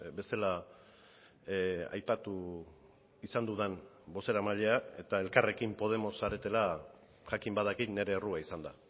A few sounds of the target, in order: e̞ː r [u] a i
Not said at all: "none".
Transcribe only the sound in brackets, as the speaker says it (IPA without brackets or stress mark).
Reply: u